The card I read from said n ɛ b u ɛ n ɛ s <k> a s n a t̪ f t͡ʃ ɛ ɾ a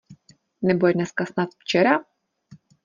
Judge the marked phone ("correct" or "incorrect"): correct